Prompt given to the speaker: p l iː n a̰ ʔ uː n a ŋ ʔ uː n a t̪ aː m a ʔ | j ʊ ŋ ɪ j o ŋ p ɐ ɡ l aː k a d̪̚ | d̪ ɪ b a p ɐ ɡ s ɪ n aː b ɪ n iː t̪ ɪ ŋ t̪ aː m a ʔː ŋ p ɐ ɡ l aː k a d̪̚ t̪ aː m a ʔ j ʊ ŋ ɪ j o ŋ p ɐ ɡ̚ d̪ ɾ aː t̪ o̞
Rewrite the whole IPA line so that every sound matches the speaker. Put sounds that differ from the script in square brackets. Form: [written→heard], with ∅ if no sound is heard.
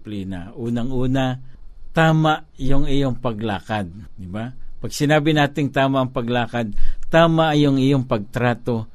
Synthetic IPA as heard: p l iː n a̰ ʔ uː n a ŋ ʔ uː n a t̪ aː m a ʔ | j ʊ ŋ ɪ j o ŋ p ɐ ɡ l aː k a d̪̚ | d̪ ɪ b a p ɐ ɡ s ɪ n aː b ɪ n [iː→aː] t̪ ɪ ŋ t̪ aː m a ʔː ŋ p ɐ ɡ l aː k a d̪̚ t̪ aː m a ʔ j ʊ ŋ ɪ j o ŋ p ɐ ɡ̚ [d̪→t̪] ɾ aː t̪ o̞